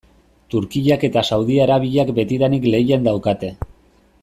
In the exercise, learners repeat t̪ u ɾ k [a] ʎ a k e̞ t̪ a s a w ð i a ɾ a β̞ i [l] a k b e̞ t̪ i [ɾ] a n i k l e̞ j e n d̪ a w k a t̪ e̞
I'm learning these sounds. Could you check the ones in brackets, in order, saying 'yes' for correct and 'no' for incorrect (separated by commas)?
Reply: no, no, yes